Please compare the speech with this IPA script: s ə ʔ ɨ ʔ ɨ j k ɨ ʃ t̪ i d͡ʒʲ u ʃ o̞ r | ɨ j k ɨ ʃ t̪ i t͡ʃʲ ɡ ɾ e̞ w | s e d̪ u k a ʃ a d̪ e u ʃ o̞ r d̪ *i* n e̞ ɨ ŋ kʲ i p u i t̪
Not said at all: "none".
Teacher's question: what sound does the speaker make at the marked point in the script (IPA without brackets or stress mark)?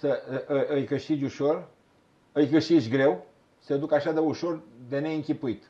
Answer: e